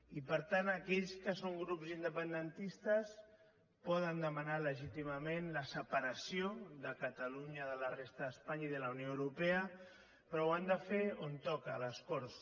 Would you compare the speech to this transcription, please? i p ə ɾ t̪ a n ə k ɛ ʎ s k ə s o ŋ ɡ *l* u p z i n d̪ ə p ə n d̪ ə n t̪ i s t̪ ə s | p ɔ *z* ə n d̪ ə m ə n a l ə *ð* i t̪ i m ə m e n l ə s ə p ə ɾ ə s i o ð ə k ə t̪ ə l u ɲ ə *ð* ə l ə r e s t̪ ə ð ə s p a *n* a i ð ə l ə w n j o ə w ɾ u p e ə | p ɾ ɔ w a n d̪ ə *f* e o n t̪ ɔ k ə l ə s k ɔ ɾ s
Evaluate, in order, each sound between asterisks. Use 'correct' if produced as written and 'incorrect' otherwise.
incorrect: ɾ, incorrect: ð, incorrect: ʒ, correct, incorrect: ɲ, correct

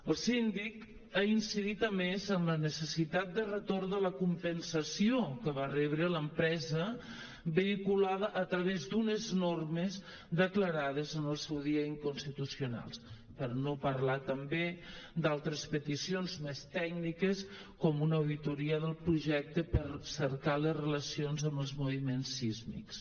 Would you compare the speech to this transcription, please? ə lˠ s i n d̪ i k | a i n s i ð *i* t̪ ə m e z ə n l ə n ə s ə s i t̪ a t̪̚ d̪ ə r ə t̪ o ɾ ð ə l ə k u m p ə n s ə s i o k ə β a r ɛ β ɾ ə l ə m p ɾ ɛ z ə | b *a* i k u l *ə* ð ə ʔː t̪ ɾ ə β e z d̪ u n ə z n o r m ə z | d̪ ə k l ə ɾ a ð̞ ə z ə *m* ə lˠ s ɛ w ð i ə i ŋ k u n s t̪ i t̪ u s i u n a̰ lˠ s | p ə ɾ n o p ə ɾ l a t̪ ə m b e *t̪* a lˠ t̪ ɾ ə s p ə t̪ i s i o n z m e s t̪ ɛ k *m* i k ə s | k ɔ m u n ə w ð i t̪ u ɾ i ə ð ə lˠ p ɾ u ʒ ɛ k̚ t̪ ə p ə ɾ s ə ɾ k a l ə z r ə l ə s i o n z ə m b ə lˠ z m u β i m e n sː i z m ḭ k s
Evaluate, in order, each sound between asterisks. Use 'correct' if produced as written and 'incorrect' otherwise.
correct, incorrect: ə, incorrect: a, incorrect: n, incorrect: d̪, incorrect: n

